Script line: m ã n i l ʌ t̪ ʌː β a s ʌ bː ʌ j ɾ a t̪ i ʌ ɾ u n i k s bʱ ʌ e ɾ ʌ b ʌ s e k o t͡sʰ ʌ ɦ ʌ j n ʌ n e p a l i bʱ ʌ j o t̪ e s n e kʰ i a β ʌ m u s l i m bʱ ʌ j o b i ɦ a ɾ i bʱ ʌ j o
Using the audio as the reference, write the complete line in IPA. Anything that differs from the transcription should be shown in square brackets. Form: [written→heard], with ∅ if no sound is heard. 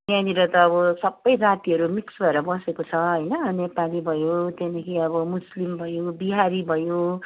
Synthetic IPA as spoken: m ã n i [l→ɾ] ʌ t̪ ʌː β [a→ʌ] s ʌ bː ʌ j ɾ a t̪ i ʌ ɾ u [n→m] i k s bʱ ʌ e ɾ ʌ b ʌ s e k o t͡sʰ ʌ ɦ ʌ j n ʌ n e p a l i bʱ ʌ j o t̪ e [s→∅] n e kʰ i [a→ʌ] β ʌ m u s l i m bʱ ʌ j o b i ɦ a ɾ i bʱ ʌ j o